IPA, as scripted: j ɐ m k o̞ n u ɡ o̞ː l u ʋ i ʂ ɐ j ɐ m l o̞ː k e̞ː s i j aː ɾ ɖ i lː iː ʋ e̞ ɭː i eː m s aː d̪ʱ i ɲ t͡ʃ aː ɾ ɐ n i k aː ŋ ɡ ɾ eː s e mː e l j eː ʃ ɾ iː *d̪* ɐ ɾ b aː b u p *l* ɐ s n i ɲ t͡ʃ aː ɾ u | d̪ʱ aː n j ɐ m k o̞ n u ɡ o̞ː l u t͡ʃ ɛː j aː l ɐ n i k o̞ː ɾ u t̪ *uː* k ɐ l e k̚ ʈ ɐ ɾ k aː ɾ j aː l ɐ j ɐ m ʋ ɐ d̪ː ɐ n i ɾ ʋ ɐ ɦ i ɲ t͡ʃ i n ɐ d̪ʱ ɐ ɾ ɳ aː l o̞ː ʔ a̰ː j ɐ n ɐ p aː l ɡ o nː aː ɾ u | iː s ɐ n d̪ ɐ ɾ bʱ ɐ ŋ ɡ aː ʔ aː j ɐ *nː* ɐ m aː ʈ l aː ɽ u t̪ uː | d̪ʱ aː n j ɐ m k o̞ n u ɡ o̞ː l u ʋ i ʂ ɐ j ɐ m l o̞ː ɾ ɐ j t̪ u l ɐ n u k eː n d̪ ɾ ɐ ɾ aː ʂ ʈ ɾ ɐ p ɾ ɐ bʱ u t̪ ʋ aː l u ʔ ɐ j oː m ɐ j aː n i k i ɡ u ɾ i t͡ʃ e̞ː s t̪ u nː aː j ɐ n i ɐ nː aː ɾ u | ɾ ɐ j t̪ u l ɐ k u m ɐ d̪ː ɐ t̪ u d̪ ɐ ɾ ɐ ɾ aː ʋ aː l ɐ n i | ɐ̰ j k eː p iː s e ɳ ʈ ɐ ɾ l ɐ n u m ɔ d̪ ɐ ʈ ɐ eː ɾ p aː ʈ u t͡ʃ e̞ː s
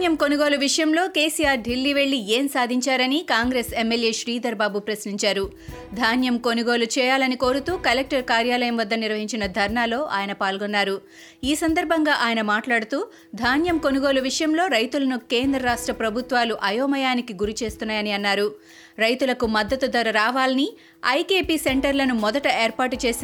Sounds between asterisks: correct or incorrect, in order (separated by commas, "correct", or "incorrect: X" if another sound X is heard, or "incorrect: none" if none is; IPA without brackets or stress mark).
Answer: correct, incorrect: ɾ, correct, incorrect: n